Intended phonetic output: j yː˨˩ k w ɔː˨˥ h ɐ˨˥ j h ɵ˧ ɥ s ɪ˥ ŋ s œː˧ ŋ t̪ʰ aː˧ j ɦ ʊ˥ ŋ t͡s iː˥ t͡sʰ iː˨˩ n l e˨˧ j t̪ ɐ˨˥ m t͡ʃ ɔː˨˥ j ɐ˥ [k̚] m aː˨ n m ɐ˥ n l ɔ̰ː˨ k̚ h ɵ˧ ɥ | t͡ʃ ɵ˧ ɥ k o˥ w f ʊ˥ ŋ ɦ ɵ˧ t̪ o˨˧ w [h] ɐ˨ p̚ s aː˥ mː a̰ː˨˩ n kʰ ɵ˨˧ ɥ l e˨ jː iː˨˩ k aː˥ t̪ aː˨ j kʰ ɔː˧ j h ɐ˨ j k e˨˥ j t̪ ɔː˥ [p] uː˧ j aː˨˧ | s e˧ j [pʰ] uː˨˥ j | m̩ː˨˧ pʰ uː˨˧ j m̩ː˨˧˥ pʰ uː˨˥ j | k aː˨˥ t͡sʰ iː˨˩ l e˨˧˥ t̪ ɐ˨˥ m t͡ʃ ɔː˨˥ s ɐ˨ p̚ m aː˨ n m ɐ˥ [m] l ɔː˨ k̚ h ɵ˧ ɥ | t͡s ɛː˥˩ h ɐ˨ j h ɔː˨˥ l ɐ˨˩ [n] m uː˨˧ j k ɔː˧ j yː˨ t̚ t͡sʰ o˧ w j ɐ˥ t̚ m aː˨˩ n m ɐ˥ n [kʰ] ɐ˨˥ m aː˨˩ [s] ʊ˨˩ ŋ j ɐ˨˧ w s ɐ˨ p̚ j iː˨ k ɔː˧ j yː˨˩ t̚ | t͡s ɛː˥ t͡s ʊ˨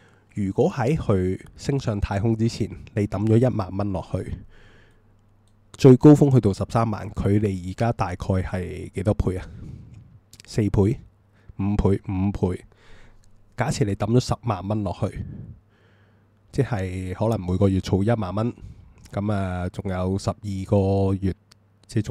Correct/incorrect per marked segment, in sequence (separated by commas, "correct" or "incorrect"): incorrect, incorrect, incorrect, correct, incorrect, incorrect, incorrect, incorrect